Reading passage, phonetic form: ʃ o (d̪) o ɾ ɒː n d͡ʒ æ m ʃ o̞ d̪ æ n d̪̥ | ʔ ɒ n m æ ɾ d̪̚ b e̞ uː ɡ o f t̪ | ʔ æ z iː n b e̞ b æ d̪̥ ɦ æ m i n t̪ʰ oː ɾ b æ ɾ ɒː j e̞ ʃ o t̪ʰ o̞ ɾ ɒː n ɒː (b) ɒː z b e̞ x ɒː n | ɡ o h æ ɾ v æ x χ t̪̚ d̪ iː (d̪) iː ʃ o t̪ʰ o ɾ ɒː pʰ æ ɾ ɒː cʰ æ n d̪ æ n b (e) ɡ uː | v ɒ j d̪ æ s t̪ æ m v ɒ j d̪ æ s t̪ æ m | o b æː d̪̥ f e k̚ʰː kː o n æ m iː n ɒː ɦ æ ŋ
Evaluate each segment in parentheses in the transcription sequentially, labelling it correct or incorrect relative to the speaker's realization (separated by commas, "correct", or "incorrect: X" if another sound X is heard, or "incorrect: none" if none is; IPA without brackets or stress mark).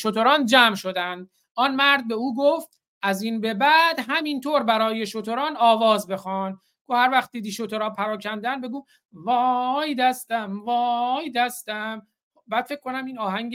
incorrect: t̪, incorrect: v, correct, correct